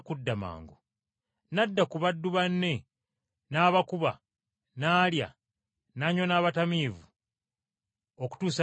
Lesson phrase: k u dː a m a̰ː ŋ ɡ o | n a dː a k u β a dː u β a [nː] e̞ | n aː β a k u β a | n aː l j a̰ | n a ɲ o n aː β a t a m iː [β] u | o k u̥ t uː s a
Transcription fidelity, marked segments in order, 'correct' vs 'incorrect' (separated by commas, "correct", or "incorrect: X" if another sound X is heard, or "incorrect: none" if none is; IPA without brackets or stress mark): correct, incorrect: v